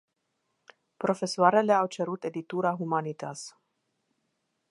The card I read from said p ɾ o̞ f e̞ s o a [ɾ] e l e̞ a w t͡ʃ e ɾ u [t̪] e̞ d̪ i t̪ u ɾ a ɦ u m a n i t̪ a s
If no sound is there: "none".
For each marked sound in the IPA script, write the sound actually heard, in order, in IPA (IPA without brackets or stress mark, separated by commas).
ɾ, t̪